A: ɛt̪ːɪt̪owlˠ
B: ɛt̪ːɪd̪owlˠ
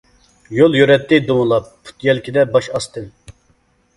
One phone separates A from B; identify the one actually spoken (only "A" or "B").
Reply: B